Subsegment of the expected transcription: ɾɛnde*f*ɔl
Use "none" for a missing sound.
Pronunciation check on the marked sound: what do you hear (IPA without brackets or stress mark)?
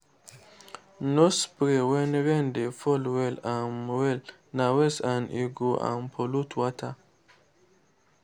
f